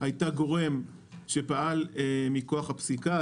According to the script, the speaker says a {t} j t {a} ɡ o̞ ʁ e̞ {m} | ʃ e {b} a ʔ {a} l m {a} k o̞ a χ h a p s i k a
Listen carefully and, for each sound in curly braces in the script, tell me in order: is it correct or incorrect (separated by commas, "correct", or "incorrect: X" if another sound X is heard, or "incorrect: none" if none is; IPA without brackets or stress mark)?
incorrect: none, correct, correct, incorrect: p, correct, incorrect: i